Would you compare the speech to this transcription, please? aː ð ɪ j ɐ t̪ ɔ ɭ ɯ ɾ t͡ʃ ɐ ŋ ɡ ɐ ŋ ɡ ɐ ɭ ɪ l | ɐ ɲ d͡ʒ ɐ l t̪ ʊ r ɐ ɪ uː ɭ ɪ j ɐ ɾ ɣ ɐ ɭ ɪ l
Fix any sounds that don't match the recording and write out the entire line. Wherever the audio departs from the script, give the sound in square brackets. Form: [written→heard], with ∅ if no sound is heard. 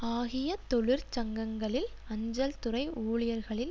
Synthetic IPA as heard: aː [ð→ɣ] ɪ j ɐ t̪ ɔ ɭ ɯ ɾ t͡ʃ ɐ ŋ ɡ ɐ ŋ ɡ ɐ ɭ ɪ l | ɐ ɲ d͡ʒ ɐ l t̪ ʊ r ɐ ɪ uː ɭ ɪ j ɐ ɾ ɣ ɐ ɭ ɪ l